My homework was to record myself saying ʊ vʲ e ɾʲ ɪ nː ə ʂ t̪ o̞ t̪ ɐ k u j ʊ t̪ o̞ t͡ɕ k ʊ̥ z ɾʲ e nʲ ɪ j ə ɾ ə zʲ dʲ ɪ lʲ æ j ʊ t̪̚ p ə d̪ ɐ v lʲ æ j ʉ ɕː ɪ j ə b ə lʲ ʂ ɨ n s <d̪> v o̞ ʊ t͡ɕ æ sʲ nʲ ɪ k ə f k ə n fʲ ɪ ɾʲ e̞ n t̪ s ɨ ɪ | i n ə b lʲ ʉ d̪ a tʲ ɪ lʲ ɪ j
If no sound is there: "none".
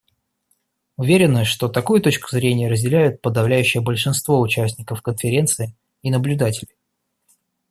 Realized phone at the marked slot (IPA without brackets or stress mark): t̪